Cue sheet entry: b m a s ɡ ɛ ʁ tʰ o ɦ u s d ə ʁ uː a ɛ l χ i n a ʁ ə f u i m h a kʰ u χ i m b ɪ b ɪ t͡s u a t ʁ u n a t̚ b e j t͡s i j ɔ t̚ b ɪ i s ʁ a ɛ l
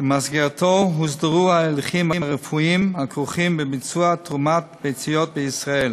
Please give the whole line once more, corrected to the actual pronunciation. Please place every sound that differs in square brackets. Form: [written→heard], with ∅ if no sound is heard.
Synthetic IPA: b m a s ɡ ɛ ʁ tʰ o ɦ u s d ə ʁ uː a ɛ l χ i [n→m] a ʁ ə f u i m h a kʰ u χ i m b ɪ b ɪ t͡s u a t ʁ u [n→m] a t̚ b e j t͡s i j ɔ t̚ b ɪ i s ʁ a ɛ l